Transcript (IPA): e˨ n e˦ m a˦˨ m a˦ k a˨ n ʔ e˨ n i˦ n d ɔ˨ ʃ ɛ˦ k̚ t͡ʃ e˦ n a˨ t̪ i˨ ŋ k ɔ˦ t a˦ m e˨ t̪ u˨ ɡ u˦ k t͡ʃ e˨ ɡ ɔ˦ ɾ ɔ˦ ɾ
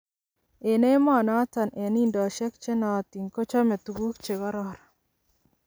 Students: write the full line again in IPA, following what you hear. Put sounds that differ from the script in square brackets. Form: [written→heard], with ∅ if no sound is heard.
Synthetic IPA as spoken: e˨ n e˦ m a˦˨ [m→n] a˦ [k→t] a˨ n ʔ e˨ n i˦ n d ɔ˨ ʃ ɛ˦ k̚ t͡ʃ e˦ n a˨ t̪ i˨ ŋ k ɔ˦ [t→t͡ʃ] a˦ m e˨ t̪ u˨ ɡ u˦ k t͡ʃ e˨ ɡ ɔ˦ ɾ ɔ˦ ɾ